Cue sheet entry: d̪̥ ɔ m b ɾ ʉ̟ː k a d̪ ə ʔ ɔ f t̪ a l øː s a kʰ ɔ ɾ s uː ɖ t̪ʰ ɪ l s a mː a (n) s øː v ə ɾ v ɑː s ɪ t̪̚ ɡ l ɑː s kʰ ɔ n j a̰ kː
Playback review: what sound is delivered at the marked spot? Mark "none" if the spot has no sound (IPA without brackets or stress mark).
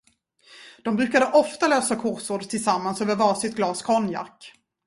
n